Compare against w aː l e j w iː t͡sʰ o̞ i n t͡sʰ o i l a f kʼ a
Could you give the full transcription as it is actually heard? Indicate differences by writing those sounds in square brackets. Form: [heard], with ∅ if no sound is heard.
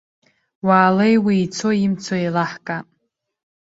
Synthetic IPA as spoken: w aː l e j w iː t͡sʰ o̞ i [m] t͡sʰ o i l a [ħ] kʼ a